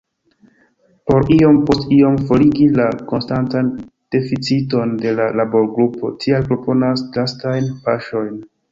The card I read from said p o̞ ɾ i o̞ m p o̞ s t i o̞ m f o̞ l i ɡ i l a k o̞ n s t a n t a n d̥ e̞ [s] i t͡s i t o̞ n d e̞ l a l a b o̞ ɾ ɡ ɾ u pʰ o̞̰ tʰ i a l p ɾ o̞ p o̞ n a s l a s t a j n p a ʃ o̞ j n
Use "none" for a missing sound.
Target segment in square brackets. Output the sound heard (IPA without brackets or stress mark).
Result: f